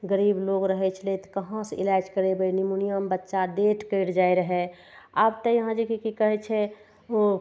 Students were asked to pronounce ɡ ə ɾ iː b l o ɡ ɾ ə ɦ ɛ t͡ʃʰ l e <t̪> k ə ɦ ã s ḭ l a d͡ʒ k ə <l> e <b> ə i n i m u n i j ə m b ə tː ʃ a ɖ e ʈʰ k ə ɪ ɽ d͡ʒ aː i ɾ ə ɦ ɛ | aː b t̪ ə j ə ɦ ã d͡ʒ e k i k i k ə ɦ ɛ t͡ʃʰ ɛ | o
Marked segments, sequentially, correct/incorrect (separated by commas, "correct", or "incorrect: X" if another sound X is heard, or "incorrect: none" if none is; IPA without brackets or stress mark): correct, incorrect: ɾ, correct